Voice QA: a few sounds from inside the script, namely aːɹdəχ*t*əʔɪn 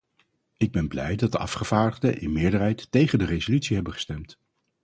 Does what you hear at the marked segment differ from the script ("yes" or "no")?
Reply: yes